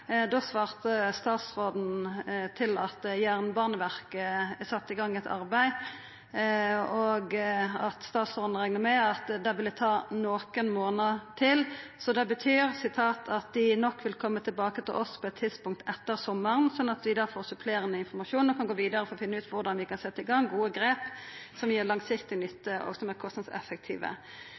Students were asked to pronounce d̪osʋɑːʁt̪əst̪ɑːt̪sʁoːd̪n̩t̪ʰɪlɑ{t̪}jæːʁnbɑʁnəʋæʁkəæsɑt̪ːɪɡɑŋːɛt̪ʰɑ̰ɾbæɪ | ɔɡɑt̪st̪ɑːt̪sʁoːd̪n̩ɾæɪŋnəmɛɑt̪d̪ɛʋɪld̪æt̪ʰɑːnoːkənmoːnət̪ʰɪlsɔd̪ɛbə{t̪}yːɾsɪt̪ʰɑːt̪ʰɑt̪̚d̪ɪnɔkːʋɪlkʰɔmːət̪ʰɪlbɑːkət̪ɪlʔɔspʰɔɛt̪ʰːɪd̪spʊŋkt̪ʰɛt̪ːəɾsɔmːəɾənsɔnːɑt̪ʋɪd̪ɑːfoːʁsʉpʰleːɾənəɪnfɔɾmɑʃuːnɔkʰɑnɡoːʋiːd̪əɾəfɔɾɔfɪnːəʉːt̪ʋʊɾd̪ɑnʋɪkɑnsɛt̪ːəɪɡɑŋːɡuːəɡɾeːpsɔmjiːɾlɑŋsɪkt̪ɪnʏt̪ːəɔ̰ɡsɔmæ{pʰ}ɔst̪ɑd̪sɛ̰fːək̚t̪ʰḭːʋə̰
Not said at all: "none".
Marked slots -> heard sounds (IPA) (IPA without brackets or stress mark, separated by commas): t̪, t̪ʰ, kʰ